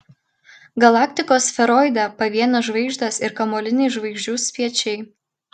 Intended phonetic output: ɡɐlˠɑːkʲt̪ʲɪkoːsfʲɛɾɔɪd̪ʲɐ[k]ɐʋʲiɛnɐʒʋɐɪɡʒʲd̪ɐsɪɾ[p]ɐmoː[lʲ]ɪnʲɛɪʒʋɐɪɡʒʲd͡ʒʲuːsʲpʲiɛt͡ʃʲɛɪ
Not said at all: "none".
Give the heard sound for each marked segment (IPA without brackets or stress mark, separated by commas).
p, k, lʲ